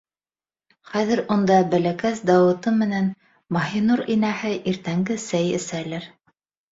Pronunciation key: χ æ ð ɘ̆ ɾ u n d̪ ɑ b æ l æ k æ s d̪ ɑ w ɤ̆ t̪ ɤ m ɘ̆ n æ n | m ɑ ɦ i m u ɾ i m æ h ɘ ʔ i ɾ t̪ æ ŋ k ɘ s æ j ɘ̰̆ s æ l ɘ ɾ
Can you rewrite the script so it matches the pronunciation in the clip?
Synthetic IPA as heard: χ æ ð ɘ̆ ɾ u n d̪ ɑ b æ l æ k æ s d̪ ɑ w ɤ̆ t̪ ɤ m ɘ̆ n æ n | m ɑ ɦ i n u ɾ i n æ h ɘ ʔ i ɾ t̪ æ ŋ ɡ ɘ s æ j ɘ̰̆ s æ l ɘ ɾ